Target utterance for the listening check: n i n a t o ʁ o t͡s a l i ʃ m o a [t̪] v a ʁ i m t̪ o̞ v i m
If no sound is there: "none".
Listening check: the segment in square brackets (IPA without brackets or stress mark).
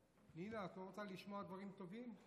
d̪